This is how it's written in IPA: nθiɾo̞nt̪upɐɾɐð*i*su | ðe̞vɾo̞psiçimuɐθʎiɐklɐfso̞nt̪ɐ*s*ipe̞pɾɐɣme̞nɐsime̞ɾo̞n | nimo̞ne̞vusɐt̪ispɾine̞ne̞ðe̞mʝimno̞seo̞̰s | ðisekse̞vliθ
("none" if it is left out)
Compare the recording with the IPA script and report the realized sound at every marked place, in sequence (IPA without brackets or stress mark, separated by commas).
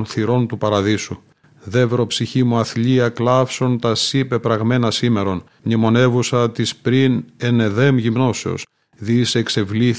i, s